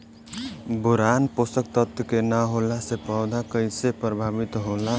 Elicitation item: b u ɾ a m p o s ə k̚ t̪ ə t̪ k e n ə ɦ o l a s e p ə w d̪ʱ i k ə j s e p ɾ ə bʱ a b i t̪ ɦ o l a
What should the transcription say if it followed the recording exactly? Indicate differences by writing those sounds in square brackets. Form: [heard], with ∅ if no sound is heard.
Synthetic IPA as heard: b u ɾ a [n] p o s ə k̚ t̪ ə t̪ k e n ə ɦ o l a s e p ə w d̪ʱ [a] k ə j s e p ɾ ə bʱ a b i t̪ ɦ o l a